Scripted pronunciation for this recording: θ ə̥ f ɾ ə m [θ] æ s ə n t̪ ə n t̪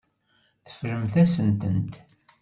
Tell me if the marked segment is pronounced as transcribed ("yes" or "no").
yes